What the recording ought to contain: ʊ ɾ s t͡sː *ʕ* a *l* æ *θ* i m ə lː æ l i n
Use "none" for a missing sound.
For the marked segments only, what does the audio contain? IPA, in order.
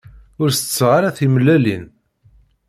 ʁ, ɾ, θ

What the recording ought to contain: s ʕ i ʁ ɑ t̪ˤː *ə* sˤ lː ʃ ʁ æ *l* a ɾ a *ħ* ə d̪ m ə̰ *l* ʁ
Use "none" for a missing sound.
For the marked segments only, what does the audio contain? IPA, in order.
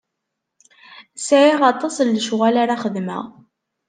ɑ, l, χ, none

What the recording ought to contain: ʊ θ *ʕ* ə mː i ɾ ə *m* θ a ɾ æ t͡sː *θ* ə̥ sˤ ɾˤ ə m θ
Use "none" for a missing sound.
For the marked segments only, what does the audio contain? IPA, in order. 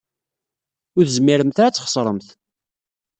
z, m, χ

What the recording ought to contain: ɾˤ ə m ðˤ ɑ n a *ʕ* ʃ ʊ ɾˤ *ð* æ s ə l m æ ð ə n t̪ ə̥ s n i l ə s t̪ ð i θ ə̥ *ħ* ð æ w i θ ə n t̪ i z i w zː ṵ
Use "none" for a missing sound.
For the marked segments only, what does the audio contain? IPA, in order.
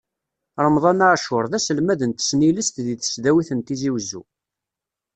ʕ, ð, s

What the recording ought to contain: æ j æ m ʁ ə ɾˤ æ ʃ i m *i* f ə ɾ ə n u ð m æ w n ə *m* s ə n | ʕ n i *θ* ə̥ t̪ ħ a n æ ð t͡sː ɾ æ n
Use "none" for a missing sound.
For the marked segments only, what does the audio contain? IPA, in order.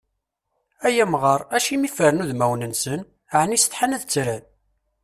i, n, s

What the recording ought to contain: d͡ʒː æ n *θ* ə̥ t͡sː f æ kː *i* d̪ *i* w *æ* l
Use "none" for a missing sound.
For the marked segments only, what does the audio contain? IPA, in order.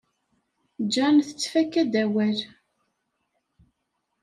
θ, æ, æ, æ

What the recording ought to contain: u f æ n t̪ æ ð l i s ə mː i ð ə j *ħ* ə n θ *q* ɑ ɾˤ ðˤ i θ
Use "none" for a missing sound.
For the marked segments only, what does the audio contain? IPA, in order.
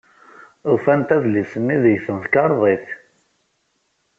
θ, k

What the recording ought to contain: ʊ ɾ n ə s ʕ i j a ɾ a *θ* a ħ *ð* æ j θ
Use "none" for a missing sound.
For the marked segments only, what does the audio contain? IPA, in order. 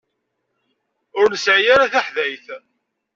θ, ð

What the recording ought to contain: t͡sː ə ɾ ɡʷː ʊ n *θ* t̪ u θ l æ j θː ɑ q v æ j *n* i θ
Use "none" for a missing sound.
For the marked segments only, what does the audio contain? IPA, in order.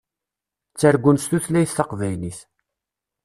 s, n

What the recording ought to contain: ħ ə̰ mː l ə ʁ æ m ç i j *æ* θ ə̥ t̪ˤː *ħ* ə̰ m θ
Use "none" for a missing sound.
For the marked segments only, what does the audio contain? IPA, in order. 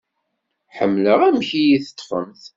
i, f

